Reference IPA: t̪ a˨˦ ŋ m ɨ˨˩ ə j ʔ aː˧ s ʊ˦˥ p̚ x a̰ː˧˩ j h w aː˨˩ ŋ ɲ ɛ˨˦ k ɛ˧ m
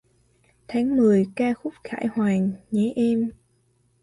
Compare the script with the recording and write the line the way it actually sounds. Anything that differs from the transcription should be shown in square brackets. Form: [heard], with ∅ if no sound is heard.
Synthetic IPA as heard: [t̪ʰ] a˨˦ ŋ m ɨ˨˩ ə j [k] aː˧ [x] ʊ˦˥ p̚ x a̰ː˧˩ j h w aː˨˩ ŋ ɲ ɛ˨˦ [ʔ] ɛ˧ m